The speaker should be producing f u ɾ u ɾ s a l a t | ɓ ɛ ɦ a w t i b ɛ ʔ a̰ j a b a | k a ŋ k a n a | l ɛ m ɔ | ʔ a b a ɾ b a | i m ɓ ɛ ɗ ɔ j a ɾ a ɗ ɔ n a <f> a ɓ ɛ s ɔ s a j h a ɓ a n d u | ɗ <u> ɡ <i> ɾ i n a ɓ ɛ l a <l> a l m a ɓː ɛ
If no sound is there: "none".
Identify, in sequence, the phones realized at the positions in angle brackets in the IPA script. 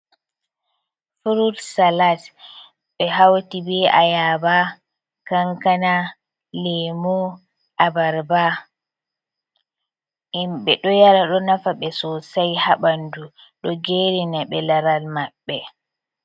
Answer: f, ɔ, e, ɾ

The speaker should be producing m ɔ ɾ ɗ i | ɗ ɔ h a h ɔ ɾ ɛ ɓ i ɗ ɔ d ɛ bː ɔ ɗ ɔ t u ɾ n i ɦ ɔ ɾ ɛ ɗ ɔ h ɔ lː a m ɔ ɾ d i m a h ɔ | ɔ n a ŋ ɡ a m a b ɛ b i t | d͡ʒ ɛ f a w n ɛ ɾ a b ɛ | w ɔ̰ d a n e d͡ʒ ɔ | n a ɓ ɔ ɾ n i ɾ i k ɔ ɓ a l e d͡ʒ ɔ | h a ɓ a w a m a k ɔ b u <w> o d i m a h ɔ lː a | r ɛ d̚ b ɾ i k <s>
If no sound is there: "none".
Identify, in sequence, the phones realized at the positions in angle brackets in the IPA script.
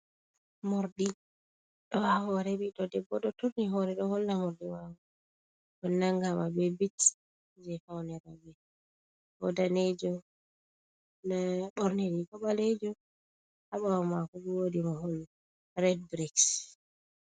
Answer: w, s

